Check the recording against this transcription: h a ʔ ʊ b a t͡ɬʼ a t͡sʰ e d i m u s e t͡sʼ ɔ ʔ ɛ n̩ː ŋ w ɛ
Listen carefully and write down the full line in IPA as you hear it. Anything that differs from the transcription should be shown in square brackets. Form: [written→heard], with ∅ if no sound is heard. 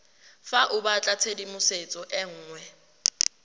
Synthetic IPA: [h→f] a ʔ ʊ b a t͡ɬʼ a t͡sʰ e d i m [u→ʊ] s e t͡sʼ ɔ ʔ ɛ [n̩ː→ŋ̩ː] ŋ w ɛ